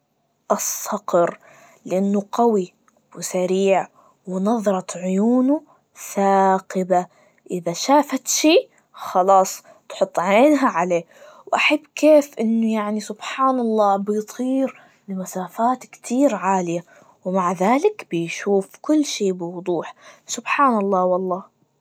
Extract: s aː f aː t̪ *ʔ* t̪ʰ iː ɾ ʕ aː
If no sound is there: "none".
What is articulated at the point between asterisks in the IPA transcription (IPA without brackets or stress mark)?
k